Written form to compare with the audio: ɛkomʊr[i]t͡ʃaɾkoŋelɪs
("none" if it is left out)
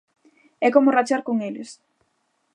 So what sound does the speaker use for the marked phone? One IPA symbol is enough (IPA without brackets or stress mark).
a